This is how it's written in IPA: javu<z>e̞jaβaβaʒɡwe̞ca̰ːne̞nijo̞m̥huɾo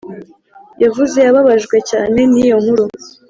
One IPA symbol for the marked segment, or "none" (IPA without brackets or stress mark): z